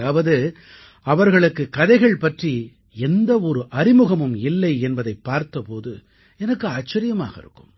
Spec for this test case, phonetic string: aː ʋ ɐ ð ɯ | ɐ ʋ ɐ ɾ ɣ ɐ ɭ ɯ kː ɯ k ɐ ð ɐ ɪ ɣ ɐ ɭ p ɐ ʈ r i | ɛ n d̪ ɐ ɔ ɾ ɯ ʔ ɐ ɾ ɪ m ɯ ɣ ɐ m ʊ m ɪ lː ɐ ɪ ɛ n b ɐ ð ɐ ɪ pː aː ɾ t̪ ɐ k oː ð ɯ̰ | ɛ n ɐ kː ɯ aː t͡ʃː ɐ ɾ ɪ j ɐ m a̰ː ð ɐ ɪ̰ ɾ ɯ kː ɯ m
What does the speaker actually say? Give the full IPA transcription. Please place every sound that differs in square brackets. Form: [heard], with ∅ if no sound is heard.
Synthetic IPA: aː ʋ ɐ ð ɯ | ɐ ʋ ɐ ɾ ɣ ɐ ɭ ɯ kː ɯ k ɐ ð ɐ ɪ ɣ ɐ ɭ p ɐ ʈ r i | ɛ n d̪ ɐ ɔ ɾ ɯ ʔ ɐ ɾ ɪ m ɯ ɣ ɐ m [ɯ] m ɪ lː ɐ ɪ ɛ n b ɐ ð ɐ ɪ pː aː ɾ t̪ ɐ [p] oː ð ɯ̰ | ɛ n ɐ kː ɯ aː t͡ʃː ɐ ɾ ɪ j ɐ m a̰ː [ɣ] ɐ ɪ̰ ɾ ɯ kː ɯ m